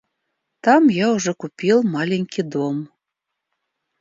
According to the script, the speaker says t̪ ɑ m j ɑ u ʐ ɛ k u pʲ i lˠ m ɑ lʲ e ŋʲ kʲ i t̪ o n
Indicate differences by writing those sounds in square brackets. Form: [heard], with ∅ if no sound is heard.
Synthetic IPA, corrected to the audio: t̪ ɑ m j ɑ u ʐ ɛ k u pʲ i lˠ m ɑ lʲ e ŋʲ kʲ i [d̪] o [m]